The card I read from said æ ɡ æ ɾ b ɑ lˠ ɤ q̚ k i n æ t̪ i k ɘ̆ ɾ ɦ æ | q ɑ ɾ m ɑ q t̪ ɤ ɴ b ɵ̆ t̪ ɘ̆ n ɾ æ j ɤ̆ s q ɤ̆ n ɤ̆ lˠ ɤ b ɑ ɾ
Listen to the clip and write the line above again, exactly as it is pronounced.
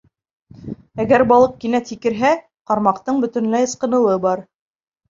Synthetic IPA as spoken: æ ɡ æ ɾ b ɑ lˠ ɤ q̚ k i n æ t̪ i k ɘ̆ ɾ ɦ æ | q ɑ ɾ m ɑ q t̪ ɤ ɴ b ɵ̆ t̪ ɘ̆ n l æ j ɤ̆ s q ɤ̆ n ɤ̆ lˠ ɤ b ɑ ɾ